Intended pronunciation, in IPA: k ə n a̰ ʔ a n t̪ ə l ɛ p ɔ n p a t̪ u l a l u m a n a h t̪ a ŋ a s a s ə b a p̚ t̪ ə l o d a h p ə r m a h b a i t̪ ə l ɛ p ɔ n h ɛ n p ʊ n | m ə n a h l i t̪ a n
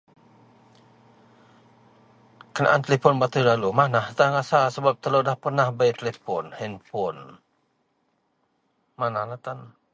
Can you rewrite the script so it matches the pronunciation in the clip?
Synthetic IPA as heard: k ə n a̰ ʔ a n t̪ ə l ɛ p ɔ n b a t̪ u l a l u m a n a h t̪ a ŋ a s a s ə b a p̚ t̪ ə l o d a h p ə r n a h b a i t̪ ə l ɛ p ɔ n h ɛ n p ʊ n | m a n a h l a t̪ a n